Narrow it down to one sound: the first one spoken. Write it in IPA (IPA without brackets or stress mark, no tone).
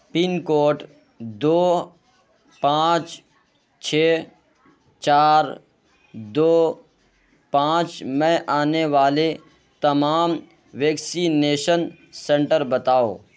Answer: p